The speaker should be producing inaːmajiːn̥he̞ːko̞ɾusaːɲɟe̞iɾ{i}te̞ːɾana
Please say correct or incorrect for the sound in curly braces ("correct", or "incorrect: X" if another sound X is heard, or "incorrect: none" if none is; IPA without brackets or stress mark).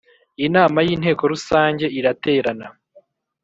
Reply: incorrect: a